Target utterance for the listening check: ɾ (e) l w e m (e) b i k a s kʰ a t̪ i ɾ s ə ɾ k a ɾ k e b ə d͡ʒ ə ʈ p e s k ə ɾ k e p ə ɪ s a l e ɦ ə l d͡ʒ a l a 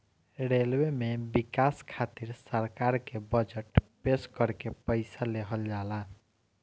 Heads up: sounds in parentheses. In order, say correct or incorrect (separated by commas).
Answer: correct, correct